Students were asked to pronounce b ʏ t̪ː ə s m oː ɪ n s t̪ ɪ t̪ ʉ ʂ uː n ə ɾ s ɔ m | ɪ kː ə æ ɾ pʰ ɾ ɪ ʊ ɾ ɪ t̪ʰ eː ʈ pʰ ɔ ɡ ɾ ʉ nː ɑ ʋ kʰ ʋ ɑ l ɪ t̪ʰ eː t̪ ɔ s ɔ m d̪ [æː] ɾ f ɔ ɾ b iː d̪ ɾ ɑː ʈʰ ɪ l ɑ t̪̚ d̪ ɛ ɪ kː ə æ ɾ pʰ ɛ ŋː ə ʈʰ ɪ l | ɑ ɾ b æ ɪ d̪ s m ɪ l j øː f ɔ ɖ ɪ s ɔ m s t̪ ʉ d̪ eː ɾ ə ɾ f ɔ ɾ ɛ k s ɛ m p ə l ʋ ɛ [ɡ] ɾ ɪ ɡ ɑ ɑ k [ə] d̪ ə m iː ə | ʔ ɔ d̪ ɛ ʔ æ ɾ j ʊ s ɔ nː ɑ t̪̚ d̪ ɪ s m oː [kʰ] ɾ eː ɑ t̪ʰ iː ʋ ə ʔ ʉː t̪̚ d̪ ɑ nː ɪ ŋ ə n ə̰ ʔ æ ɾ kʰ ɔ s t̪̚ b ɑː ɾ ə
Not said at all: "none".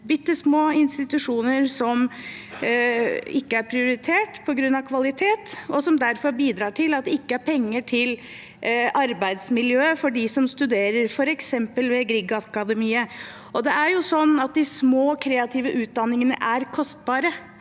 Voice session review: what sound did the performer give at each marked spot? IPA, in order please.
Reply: æ, ɡ, ɑ, kʰ

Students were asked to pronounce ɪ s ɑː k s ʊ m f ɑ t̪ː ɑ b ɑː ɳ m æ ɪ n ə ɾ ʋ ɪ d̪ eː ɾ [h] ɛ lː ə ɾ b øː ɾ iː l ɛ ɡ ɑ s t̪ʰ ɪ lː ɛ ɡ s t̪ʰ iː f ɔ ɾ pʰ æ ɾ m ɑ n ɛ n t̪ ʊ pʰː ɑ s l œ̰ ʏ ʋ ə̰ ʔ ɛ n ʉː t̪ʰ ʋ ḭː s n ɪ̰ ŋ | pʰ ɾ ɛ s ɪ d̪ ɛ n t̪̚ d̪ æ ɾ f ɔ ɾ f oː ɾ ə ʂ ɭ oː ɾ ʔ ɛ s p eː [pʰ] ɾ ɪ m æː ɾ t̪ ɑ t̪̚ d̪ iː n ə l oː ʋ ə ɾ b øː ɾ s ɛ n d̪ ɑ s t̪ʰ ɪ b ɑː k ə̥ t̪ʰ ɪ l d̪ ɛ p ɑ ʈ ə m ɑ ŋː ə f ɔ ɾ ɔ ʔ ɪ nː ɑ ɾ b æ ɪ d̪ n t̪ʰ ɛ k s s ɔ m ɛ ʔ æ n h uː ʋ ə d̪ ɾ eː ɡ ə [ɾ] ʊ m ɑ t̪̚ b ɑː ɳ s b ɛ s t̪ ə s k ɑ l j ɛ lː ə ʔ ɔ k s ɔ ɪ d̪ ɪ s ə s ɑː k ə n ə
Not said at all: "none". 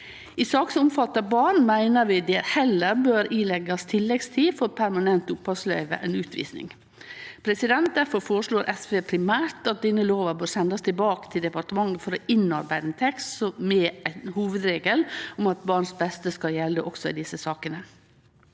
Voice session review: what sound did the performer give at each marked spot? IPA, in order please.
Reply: h, pʰ, l

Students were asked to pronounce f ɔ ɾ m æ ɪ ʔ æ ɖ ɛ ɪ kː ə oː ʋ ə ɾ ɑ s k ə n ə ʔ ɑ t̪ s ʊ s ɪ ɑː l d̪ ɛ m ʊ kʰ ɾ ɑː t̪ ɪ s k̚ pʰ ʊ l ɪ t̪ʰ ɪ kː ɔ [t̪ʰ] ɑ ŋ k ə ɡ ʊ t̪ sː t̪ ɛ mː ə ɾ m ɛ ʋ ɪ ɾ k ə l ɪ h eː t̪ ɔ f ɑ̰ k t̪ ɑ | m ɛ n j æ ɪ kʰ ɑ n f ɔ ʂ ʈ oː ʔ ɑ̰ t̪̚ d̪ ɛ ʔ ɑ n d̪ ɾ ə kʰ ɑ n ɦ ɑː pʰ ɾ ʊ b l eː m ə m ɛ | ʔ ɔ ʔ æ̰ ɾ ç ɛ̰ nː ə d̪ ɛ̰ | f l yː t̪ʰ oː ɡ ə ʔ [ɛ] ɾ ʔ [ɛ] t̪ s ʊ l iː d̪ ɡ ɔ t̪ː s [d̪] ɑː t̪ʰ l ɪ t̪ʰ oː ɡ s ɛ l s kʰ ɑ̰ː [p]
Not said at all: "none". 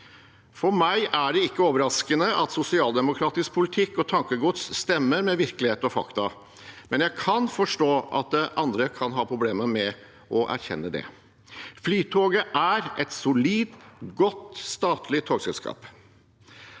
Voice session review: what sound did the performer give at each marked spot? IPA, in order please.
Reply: t̪ʰ, æ, ɛ, t̪, p

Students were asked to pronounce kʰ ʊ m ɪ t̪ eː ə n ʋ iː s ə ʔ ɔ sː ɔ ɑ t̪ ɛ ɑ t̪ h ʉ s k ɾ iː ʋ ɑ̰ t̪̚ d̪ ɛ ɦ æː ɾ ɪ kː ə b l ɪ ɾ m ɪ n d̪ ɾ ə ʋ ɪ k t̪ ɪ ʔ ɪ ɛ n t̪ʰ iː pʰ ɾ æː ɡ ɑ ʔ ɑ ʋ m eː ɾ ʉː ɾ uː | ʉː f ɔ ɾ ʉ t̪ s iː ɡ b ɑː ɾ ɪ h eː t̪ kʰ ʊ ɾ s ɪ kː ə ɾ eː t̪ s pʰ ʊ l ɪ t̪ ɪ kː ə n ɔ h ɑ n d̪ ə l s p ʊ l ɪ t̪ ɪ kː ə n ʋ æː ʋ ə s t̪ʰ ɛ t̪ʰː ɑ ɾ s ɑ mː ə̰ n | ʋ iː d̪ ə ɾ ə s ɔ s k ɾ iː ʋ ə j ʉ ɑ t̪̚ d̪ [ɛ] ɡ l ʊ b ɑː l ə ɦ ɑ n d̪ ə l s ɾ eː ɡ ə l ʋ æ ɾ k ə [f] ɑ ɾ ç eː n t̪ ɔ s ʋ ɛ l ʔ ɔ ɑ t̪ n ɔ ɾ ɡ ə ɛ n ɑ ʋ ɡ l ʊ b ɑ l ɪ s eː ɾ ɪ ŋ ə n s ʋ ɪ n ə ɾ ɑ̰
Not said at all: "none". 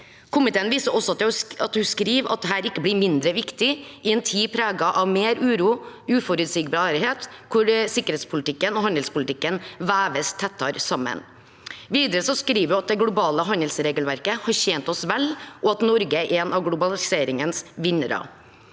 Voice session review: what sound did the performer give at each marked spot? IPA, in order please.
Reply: ɛ, h

